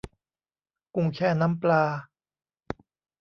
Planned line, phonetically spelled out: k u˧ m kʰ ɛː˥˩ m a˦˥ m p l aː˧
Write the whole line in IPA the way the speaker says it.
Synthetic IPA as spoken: k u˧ ŋ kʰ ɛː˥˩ n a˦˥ m p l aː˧